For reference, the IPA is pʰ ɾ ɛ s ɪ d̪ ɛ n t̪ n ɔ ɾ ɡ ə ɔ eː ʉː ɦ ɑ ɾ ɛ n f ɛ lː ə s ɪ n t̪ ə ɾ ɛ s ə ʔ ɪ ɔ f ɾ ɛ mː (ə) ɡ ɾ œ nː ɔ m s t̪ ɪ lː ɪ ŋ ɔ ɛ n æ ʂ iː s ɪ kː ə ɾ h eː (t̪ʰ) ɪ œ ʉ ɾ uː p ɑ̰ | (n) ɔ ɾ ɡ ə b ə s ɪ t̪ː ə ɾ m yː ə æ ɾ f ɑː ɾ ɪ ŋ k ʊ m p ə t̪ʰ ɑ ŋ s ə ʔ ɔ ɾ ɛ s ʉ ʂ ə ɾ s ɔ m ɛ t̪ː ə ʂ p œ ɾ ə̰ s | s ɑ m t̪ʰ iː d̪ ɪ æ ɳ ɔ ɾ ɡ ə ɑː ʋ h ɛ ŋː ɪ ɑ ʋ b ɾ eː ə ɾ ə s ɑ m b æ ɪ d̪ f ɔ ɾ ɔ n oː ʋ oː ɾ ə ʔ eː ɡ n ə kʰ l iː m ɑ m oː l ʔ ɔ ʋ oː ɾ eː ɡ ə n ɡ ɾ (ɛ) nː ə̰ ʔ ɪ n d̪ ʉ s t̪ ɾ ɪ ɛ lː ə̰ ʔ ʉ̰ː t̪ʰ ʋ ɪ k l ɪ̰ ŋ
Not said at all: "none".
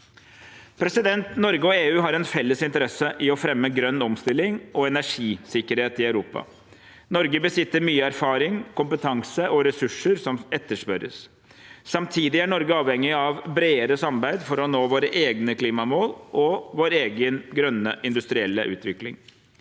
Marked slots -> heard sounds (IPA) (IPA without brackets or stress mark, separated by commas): ə, t̪, n, œ